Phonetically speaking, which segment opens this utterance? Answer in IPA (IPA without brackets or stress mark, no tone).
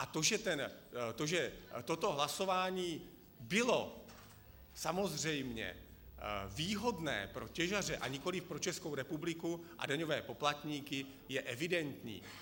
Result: ʔ